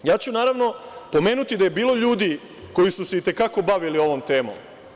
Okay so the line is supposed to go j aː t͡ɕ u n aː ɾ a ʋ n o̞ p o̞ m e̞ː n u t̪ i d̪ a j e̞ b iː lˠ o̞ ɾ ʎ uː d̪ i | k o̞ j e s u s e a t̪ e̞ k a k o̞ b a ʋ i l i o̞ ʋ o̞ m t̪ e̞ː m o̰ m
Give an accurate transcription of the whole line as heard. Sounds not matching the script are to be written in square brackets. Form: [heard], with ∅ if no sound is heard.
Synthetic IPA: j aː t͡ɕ u n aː ɾ a ʋ n o̞ p o̞ m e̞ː n u t̪ i d̪ a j e̞ b iː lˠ o̞ [∅] ʎ uː d̪ i | k o̞ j [i] s u s e [i] t̪ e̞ k a k o̞ b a ʋ i l i o̞ ʋ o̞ m t̪ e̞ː m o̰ m